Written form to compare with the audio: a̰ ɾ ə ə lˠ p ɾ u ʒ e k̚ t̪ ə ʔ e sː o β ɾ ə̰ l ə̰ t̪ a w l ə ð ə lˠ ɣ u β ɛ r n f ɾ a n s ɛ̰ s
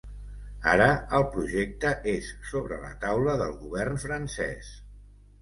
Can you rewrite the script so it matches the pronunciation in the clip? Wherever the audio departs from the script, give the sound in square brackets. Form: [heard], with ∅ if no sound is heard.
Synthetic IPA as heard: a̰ ɾ ə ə lˠ p ɾ u ʒ e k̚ t̪ ə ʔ e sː o β ɾ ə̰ l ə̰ t̪ a w l ə ð ə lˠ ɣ u β ɛ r n f ɾ [ə] n s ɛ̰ s